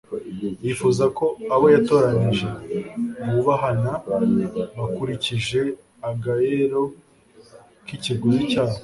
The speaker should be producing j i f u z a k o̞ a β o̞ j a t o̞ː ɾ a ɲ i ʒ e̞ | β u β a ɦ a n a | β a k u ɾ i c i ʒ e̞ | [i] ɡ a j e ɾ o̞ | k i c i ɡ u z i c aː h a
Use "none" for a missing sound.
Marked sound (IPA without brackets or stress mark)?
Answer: a